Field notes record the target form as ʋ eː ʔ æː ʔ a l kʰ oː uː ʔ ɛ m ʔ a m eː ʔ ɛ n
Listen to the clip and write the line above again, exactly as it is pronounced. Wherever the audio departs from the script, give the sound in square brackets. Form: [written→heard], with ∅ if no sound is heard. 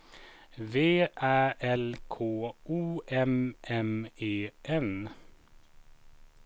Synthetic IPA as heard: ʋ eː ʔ æː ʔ [a→ɛ] l kʰ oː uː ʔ ɛ m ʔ [a→ɛ] m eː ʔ ɛ n